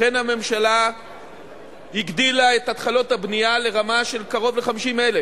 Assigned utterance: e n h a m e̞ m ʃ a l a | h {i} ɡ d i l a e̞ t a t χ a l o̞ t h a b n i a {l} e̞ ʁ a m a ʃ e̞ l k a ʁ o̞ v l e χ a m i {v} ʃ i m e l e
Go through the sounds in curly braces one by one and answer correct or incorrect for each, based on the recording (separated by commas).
correct, correct, incorrect